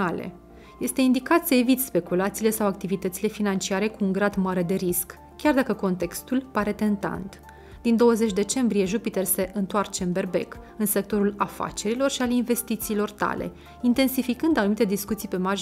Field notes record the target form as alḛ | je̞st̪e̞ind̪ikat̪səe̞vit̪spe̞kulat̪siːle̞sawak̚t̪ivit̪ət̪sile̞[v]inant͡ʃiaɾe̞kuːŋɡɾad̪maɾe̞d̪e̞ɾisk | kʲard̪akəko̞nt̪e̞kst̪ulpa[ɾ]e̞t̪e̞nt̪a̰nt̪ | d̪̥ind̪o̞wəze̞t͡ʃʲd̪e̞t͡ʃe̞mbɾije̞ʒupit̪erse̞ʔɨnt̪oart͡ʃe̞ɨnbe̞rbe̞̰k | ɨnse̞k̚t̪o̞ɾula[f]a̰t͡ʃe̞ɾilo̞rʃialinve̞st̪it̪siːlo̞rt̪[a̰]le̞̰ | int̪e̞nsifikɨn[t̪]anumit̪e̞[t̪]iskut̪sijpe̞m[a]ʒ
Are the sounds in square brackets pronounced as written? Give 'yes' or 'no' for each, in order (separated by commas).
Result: no, yes, yes, yes, no, no, yes